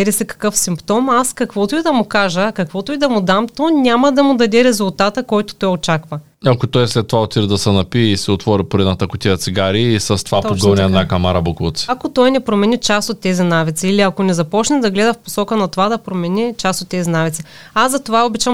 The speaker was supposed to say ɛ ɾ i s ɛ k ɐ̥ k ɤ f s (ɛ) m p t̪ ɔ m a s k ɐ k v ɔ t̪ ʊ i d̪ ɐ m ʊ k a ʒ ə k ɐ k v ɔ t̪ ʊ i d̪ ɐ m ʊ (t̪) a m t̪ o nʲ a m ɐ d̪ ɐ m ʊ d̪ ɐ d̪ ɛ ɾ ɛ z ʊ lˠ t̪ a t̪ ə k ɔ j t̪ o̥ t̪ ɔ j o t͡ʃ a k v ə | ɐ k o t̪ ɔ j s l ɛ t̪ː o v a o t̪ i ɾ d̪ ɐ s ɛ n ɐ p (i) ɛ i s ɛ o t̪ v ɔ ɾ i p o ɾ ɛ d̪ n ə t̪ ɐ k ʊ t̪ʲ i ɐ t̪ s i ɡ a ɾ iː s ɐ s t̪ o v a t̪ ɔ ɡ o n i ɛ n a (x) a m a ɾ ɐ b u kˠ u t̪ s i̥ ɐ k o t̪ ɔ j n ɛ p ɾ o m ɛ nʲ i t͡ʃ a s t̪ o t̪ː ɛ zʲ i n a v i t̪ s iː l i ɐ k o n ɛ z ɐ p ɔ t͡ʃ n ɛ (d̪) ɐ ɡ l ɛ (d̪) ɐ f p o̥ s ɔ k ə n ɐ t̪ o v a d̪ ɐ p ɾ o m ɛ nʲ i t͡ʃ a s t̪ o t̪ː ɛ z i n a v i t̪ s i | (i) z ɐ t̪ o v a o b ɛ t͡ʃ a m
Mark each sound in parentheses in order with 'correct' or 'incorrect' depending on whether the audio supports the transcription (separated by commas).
incorrect, incorrect, correct, incorrect, correct, correct, incorrect